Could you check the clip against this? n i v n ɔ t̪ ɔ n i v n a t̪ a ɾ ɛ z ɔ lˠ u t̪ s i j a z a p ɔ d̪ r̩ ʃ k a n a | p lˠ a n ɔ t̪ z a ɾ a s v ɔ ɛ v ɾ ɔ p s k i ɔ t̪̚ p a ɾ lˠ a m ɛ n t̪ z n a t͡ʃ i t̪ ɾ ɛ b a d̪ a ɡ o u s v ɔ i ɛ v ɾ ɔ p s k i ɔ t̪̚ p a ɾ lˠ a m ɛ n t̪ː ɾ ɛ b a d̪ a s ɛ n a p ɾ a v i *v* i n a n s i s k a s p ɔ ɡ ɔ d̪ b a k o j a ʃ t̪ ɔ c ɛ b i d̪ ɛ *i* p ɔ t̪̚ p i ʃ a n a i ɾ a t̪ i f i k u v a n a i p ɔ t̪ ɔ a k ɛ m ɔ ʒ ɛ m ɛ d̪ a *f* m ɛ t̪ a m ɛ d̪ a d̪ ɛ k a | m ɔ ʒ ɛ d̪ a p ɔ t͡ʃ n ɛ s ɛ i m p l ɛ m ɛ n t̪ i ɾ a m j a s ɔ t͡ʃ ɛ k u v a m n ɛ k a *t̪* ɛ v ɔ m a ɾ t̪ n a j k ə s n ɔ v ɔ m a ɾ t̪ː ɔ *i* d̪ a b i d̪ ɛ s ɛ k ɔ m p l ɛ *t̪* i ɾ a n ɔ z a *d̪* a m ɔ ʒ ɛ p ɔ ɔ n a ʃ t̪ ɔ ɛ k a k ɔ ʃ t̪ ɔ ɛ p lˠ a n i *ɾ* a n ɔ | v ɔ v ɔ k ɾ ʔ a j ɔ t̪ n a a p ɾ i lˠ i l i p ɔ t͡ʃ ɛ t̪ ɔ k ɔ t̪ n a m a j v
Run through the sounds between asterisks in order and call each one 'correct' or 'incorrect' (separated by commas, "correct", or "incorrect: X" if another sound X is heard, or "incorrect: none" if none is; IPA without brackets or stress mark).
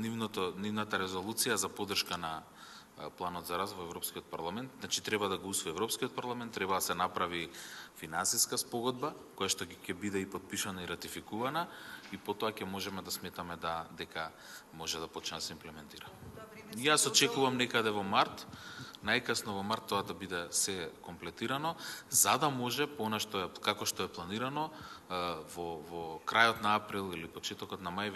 incorrect: f, correct, incorrect: s, incorrect: d̪, incorrect: a, correct, correct, correct